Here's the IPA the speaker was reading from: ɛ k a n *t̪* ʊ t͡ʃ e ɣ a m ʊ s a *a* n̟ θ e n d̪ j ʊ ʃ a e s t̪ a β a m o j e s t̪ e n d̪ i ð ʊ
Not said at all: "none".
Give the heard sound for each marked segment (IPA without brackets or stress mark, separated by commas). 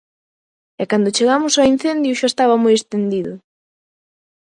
d̪, i